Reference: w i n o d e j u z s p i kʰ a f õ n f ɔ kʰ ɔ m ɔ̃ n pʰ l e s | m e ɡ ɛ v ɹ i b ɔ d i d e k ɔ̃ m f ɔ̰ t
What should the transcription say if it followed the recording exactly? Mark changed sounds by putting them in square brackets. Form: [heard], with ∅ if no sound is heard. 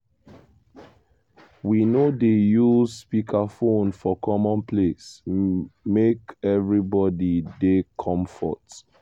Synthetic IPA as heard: w i n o d e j u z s p i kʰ a f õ n f ɔ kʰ ɔ m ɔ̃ n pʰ l e s | m e [k] ɛ v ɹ i b ɔ d i d e [kʰ] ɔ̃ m f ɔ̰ t